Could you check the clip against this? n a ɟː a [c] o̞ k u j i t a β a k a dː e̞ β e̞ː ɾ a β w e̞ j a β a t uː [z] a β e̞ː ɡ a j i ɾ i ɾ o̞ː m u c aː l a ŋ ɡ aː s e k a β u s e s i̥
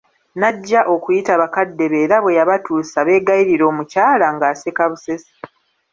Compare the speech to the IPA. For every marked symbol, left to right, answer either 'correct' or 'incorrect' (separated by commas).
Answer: incorrect, incorrect